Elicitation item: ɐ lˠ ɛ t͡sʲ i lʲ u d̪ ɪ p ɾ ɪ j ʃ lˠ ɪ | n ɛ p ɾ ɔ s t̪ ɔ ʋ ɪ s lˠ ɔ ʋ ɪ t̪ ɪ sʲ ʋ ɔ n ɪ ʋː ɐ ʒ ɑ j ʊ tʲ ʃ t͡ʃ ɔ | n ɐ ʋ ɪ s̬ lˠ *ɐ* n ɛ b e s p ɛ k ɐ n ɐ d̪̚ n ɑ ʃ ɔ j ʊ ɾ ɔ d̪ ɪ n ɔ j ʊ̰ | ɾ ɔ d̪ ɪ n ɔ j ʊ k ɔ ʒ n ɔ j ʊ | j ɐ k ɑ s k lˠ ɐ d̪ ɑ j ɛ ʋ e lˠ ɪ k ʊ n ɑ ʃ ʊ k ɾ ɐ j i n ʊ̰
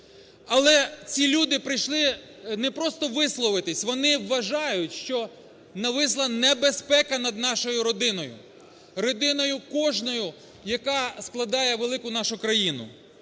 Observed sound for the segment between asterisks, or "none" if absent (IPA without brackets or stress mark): ɐ